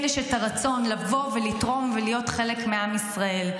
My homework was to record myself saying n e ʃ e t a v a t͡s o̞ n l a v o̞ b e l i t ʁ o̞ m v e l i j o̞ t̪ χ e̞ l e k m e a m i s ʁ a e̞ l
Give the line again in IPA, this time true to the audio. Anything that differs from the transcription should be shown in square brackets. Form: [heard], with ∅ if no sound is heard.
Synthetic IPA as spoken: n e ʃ e t a [ʁ] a t͡s o̞ n l a v o̞ [v] e l i t ʁ o̞ m v e l i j o̞ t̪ χ e̞ l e k m e a m i s ʁ a e̞ l